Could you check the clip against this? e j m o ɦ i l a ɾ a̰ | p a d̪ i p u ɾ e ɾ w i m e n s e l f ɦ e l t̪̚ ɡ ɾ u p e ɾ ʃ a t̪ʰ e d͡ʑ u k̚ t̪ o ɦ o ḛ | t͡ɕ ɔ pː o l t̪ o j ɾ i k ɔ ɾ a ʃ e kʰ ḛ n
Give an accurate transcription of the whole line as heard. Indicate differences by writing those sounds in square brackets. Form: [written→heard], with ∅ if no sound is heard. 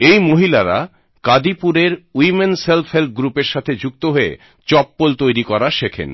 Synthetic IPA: e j m o ɦ i l a ɾ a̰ | [p→k] a d̪ i p u ɾ e ɾ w i m e n s e l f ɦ e l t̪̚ ɡ ɾ u p e ɾ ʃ a t̪ʰ e d͡ʑ u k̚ t̪ o ɦ o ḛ | t͡ɕ ɔ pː o l t̪ o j ɾ i k ɔ ɾ a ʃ e kʰ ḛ n